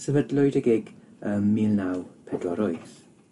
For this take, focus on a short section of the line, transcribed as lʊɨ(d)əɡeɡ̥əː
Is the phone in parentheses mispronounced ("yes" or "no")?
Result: no